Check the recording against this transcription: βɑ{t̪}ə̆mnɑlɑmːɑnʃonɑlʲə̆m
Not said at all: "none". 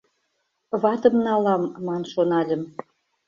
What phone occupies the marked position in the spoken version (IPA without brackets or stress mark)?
t̪